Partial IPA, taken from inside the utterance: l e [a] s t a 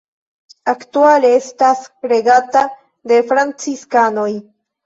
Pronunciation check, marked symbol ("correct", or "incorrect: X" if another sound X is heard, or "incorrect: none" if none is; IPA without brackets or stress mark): incorrect: e